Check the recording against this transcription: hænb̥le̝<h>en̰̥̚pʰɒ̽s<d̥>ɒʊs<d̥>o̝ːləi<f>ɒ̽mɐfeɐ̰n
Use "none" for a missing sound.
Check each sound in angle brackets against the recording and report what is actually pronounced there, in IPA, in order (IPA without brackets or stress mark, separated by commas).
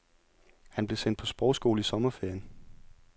s, b̥, ɡ̥, s